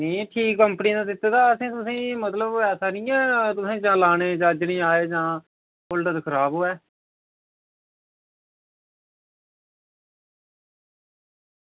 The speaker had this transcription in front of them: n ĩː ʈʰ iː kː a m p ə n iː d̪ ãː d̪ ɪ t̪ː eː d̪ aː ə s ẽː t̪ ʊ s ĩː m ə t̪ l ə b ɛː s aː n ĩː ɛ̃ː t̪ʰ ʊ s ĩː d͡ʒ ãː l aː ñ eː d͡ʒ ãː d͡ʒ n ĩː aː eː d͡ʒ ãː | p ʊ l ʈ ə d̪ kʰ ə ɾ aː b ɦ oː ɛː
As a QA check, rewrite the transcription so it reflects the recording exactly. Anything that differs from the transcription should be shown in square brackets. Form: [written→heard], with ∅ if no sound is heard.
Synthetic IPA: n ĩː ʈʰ iː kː [a→ə] m p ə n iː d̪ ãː d̪ ɪ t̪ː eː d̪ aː ə s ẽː t̪ ʊ s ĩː m ə t̪ l ə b ɛː s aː n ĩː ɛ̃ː [t̪ʰ→t̪] ʊ s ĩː d͡ʒ ãː l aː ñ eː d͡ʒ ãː d͡ʒ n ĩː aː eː d͡ʒ ãː | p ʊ l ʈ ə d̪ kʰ ə ɾ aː b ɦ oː ɛː